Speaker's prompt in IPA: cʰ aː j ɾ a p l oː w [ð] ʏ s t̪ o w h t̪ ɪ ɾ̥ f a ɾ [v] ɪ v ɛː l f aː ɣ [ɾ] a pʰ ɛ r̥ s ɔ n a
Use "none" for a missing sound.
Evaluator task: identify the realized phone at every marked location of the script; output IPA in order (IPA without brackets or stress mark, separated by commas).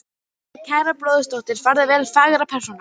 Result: ð, ð, ɾ